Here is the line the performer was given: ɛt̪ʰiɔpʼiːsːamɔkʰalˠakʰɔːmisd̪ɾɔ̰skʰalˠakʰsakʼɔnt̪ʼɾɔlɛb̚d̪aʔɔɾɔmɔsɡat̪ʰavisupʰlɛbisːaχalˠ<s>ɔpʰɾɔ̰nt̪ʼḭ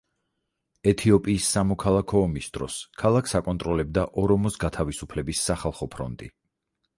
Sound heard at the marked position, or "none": χ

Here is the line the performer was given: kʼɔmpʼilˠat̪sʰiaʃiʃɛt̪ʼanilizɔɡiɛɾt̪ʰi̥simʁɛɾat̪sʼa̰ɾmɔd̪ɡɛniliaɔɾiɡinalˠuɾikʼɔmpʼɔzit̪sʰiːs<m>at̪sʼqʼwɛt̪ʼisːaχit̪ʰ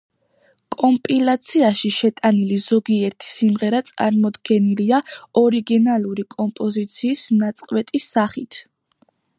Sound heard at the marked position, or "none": n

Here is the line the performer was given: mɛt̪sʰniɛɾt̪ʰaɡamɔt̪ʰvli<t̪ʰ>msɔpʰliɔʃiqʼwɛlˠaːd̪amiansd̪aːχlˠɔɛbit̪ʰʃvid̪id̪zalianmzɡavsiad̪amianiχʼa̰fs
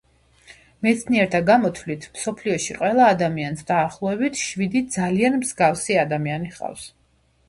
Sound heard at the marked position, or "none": t̪ʰ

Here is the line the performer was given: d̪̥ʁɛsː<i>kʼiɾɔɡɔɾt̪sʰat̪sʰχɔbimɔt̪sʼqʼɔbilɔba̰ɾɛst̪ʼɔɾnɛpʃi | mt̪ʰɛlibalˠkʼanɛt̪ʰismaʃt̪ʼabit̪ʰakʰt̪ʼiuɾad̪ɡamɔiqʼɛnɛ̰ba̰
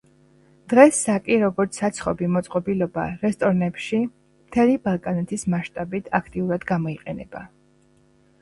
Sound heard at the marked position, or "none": a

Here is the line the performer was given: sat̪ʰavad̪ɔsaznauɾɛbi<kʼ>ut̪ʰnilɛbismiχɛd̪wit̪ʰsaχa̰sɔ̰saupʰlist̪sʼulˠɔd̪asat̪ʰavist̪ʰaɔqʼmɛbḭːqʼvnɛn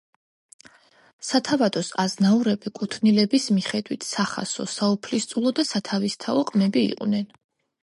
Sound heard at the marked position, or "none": kʼ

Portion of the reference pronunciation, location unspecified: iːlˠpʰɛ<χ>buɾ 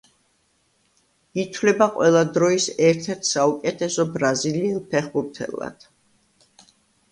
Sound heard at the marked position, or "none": χ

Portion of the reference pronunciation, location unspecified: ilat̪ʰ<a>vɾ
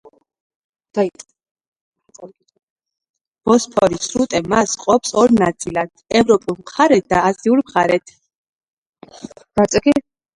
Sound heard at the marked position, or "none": ɛ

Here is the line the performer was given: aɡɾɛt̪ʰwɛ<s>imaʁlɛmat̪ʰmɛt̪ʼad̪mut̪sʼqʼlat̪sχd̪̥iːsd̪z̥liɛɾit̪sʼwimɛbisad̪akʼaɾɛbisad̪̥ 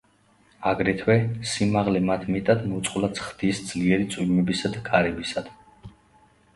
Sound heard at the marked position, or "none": s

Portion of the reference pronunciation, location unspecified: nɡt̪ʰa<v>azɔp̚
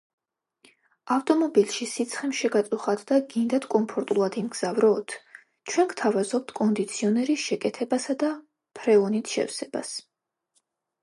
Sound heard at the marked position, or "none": v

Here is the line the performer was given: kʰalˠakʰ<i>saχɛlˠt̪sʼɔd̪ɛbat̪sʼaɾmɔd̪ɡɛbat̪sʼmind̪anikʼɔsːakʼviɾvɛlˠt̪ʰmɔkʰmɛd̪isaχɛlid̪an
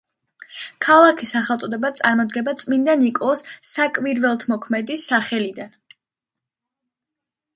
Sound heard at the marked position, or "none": i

